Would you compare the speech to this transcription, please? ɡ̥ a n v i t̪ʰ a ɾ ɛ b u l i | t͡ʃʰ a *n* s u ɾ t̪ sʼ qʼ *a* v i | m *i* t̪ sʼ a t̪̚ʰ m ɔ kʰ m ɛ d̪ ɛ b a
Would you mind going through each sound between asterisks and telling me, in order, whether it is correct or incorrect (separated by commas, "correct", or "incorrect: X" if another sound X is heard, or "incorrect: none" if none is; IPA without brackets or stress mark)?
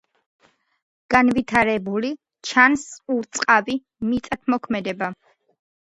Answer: correct, correct, correct